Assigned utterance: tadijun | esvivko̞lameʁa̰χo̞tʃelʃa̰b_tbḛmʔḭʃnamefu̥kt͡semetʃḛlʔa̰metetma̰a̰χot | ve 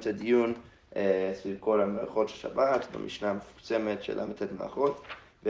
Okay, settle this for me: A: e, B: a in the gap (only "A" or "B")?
B